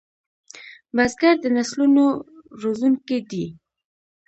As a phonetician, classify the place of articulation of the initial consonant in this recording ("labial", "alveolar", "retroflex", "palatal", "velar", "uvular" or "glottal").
labial